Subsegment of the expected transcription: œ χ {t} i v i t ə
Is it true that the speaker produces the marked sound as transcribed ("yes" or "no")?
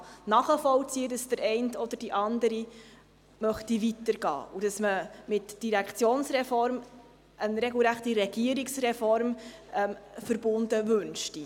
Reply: yes